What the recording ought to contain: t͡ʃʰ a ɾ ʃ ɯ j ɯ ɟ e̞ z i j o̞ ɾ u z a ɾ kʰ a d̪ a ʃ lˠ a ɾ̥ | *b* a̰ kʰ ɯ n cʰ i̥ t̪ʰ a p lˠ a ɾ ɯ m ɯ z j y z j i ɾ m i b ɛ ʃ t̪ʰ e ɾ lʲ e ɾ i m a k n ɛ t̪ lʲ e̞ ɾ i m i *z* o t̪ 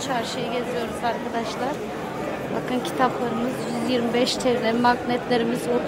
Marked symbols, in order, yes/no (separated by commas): yes, yes